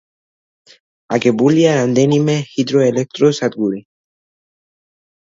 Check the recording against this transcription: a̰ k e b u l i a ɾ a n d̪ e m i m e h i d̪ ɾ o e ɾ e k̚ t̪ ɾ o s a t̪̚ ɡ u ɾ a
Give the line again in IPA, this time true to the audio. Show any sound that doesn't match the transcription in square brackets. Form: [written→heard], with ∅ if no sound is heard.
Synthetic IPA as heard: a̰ k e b u l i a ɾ a n d̪ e [m→n] i m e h i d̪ ɾ o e [ɾ→l] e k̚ t̪ ɾ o s a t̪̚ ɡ u ɾ [a→i]